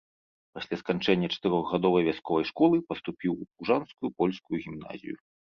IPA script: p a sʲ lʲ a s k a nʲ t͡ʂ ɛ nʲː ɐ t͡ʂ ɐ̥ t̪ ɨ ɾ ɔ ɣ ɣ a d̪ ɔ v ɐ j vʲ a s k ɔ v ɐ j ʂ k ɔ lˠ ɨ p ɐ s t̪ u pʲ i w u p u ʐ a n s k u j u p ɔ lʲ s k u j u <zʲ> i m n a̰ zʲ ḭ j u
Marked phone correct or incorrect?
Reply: incorrect